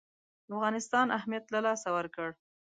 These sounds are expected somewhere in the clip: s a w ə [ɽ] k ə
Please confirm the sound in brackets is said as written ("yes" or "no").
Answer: no